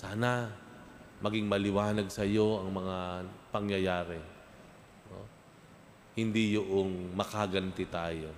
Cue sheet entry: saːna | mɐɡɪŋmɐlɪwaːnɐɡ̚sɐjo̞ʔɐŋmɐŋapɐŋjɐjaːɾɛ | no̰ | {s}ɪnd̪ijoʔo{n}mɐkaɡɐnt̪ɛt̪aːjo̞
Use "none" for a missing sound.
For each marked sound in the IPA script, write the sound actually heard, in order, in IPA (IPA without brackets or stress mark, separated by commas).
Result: h, ŋ